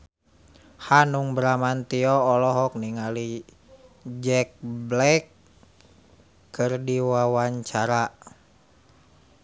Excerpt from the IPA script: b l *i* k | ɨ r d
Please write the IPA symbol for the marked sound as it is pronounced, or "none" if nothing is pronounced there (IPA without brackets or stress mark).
ɛ